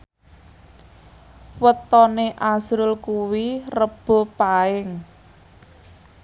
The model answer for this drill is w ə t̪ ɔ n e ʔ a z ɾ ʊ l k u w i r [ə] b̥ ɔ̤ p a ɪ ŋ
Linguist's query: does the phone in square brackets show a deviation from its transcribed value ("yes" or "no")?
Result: no